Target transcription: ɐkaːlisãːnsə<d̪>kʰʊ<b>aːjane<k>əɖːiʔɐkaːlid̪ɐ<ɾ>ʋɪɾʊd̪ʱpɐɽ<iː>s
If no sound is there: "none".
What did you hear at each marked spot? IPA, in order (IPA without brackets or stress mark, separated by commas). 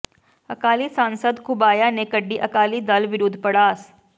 d̪, b, k, l, aː